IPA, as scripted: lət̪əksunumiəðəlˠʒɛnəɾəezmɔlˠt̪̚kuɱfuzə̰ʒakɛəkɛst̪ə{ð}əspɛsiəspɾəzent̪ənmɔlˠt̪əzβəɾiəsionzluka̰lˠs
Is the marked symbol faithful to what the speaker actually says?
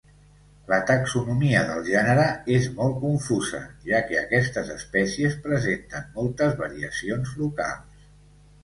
no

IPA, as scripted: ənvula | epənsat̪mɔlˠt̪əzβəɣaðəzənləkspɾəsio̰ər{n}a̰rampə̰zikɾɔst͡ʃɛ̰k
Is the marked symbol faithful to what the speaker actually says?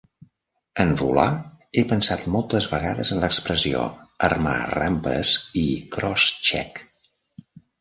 no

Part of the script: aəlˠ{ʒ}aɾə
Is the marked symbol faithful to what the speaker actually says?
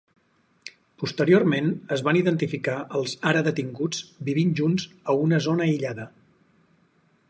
no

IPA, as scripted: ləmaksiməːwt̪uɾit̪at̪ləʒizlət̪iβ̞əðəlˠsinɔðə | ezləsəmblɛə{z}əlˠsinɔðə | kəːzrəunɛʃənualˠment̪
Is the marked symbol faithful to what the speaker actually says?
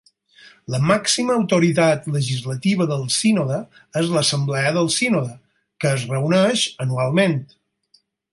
no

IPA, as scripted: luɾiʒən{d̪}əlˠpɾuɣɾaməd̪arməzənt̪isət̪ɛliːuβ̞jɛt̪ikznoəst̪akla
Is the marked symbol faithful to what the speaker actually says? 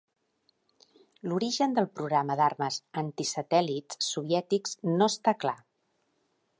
yes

